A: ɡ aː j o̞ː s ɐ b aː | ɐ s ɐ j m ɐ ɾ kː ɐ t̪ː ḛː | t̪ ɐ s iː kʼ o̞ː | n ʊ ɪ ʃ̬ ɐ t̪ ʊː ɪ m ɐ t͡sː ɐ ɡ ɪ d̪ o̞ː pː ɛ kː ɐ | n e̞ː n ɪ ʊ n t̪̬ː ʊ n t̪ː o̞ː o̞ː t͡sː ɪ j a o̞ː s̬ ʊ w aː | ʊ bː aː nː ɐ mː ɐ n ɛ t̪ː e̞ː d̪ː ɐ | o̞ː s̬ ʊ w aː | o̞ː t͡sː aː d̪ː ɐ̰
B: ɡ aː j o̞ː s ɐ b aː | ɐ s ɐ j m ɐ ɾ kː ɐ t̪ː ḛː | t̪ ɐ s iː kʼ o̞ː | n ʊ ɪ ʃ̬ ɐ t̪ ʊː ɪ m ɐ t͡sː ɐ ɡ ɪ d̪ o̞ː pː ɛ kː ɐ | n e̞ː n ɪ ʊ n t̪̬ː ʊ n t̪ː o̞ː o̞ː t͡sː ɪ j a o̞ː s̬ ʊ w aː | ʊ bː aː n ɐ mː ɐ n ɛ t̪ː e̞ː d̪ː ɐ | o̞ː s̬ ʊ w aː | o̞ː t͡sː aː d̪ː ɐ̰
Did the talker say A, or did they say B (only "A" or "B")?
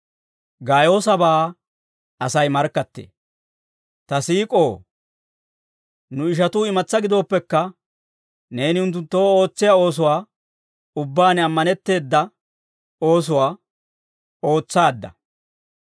B